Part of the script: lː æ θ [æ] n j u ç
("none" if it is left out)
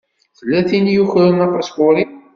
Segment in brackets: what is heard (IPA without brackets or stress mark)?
i